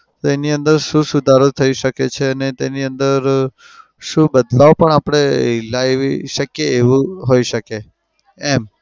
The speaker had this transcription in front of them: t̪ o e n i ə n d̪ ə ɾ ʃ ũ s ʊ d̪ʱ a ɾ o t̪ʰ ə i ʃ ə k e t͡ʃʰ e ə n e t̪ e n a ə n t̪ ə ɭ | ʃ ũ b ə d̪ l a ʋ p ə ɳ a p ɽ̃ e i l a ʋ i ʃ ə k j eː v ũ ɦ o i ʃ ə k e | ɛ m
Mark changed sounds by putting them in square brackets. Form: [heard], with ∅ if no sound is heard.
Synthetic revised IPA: t̪ o e n i ə n d̪ ə ɾ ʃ ũ s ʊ d̪ʱ a ɾ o t̪ʰ ə i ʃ ə k e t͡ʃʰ e ə n e t̪ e n [i] ə n [d̪] ə [ɾ] | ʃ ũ b ə d̪ l a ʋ p ə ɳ a p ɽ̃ e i l a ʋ i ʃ ə k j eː [ʋ] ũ ɦ o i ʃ ə k e | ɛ m

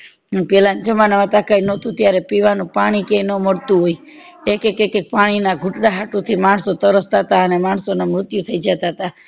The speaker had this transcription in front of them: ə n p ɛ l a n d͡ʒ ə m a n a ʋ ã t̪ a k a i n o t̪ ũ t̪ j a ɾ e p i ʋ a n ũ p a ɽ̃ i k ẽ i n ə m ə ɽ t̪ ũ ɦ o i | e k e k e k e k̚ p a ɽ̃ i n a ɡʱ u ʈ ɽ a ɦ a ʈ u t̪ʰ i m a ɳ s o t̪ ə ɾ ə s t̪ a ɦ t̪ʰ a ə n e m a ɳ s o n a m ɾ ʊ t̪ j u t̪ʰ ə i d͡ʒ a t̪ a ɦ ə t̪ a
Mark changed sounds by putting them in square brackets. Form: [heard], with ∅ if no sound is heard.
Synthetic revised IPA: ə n p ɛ l a n d͡ʒ ə m a n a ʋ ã t̪ a k a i n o t̪ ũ t̪ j a ɾ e p i ʋ a n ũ p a ɽ̃ i k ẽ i n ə m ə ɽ t̪ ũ ɦ o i | e k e k e k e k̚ p a ɽ̃ i n a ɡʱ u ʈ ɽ a ɦ a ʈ u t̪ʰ i m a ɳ s o t̪ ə ɾ ə s t̪ a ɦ [t̪] a ə n e m a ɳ s o n a m ɾ ʊ t̪ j u t̪ʰ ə i d͡ʒ a t̪ a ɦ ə t̪ a

